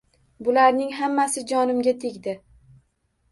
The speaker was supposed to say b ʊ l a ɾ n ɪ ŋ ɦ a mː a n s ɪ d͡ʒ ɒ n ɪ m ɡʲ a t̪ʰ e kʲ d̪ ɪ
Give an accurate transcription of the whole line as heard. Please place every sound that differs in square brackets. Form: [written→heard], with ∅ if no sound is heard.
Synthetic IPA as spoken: b ʊ l a ɾ n ɪ ŋ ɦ a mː a [n→∅] s ɪ d͡ʒ ɒ n ɪ m ɡʲ a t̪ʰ e [kʲ→ɡʲ] d̪ ɪ